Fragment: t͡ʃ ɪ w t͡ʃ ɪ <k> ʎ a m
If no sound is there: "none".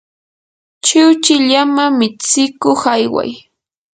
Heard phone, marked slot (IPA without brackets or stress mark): none